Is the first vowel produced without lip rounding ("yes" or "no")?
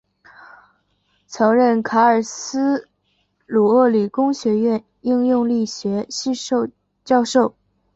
yes